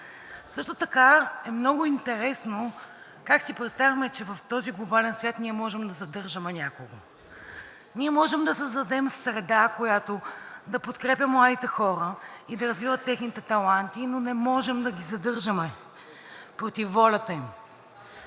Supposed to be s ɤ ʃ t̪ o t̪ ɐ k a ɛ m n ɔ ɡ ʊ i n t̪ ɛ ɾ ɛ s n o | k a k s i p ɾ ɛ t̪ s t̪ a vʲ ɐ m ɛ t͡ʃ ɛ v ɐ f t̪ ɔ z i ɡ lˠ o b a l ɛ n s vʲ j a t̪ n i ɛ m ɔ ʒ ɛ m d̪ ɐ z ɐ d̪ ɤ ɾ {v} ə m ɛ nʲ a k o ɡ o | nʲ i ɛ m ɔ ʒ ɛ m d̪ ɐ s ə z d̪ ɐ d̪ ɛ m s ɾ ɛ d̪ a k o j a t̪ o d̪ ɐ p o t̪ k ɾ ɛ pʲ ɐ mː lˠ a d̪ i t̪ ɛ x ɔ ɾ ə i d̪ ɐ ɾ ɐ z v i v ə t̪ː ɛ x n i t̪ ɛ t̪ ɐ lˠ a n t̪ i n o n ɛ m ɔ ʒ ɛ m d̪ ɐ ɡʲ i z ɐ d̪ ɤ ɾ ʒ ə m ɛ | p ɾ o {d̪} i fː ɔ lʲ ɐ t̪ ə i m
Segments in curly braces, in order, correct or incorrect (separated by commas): incorrect, incorrect